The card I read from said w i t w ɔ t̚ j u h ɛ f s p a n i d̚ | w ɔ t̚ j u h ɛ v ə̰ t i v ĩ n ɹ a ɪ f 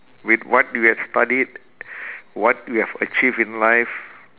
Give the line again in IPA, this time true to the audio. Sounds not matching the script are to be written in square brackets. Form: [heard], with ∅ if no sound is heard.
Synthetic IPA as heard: w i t w ɔ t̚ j u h ɛ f s [t] a [d] i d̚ | w ɔ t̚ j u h ɛ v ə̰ [t͡ʃ] i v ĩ n [l] a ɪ f